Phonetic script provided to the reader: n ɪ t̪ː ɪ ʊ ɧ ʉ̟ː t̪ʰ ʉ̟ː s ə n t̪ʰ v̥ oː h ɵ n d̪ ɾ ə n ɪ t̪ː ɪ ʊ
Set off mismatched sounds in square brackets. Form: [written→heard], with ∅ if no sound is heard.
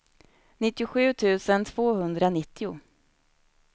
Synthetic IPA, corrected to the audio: n ɪ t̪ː ɪ ʊ ɧ ʉ̟ː t̪ʰ ʉ̟ː s ə n t̪ʰ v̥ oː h ɵ n d̪ ɾ [ə→a] n ɪ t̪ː ɪ ʊ